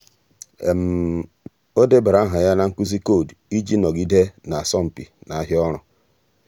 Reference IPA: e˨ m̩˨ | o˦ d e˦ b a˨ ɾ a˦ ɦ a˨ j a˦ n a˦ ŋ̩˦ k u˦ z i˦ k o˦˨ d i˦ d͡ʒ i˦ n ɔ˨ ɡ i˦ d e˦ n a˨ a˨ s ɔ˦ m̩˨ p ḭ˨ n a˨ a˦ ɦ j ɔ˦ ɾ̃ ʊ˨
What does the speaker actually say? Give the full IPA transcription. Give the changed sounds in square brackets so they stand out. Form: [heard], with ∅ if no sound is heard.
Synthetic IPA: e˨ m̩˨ | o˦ d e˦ b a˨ ɾ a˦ ɦ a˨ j a˦ n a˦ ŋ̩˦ k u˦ z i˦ k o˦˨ d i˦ d͡ʒ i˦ n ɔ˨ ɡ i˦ d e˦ n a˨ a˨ s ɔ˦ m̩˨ p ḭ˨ n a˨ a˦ ɦ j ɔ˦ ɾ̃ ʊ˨